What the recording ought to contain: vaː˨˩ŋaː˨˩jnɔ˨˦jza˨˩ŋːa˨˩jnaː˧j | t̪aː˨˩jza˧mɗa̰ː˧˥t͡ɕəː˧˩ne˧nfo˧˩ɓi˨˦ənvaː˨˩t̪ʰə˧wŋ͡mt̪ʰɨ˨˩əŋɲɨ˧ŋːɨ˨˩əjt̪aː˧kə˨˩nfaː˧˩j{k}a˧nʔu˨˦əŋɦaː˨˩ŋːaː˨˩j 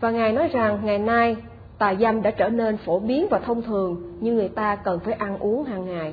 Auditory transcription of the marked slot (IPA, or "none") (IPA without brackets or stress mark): ʔ